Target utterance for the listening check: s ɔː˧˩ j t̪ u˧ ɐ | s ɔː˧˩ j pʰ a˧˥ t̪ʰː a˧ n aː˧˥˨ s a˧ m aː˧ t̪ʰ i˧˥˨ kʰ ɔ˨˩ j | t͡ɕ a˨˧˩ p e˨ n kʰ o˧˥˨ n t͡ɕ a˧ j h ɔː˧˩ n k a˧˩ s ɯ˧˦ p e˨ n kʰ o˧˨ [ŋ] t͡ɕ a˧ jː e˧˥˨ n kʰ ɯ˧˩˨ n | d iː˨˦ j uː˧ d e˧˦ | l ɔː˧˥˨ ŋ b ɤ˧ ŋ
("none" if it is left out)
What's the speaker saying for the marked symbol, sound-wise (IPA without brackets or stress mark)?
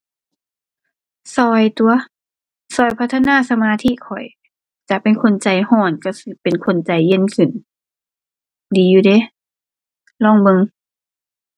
n